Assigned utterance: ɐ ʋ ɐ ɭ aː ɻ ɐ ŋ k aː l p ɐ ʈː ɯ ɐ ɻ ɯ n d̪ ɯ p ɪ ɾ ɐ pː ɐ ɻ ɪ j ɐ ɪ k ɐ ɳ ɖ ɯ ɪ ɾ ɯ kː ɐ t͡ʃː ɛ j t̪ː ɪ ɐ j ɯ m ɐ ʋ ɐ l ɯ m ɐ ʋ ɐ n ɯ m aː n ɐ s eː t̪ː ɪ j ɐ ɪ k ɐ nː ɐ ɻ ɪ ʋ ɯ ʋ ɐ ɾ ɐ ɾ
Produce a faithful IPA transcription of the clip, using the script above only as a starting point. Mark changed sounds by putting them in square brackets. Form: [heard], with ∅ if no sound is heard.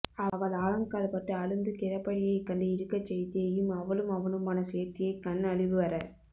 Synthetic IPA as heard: ɐ ʋ ɐ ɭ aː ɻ ɐ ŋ k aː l p ɐ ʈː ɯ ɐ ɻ ɯ n d̪ ɯ [k] ɪ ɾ ɐ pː ɐ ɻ ɪ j ɐ ɪ k ɐ ɳ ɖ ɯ ɪ ɾ ɯ kː ɐ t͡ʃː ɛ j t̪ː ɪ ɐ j ɯ m ɐ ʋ ɐ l ɯ m ɐ ʋ ɐ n ɯ m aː n ɐ s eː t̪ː ɪ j ɐ ɪ k ɐ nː ɐ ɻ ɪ ʋ ɯ ʋ ɐ ɾ ɐ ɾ